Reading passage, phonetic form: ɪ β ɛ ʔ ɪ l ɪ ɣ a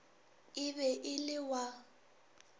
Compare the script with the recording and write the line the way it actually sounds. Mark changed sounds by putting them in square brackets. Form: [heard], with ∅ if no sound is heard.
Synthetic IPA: ɪ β ɛ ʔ ɪ l ɪ [w] a